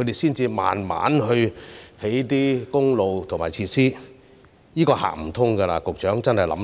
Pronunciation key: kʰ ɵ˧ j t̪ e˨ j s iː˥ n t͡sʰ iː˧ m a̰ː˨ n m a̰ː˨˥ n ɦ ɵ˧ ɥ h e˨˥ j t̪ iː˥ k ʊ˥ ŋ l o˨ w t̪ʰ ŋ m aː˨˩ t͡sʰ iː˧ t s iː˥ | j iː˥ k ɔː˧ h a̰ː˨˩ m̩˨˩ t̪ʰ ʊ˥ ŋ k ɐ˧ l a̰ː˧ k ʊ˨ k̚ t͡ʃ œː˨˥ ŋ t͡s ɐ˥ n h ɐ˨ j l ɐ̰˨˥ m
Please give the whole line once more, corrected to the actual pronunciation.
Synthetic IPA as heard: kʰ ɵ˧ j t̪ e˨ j s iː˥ n t͡s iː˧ m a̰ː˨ n m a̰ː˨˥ n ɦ ɵ˧ ɥ h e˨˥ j t̪ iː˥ k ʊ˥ ŋ l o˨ w t̪ʰ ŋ m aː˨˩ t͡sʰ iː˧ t s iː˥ | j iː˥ k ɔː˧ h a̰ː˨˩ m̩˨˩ t̪ʰ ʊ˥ ŋ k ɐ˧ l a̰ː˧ k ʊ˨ k̚ t͡ʃ œː˨˥ ŋ t͡s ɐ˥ n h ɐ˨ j l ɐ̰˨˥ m